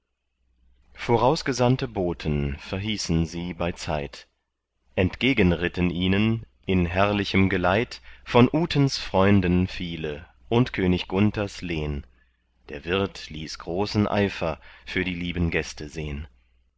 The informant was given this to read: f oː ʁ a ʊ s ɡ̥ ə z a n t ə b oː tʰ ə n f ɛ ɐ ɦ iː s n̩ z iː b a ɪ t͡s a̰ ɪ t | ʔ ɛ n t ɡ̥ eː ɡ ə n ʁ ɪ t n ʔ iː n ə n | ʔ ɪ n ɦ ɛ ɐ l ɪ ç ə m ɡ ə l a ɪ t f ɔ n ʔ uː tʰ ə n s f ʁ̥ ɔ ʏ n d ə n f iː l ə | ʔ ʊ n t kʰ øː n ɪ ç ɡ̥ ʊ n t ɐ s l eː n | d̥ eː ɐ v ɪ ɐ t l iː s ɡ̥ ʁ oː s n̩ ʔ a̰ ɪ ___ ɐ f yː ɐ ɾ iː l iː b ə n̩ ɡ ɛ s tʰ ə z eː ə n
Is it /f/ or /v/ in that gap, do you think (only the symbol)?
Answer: f